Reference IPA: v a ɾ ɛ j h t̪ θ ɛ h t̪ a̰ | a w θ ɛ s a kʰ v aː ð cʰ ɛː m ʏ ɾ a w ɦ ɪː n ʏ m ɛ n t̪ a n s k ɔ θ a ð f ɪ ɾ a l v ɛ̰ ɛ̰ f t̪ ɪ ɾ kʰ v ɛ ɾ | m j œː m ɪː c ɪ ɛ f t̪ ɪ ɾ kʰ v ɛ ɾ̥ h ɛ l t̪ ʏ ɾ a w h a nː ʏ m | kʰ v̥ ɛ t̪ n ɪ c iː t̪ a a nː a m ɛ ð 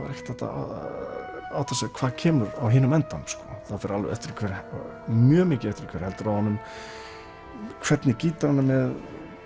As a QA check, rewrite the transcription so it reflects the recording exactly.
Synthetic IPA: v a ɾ ɛ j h t̪ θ ɛ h t̪ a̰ | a w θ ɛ s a kʰ v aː ð cʰ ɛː m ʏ ɾ a w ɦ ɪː n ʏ m ɛ n t̪ a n s k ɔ θ a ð f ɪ ɾ a l v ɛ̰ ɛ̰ f t̪ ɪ ɾ kʰ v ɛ ɾ | m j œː m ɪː c ɪ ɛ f t̪ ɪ ɾ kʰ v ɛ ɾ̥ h ɛ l t̪ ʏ ɾ a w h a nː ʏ m | kʰ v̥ ɛ t̪ n ɪ c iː t̪ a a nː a m ɛ ð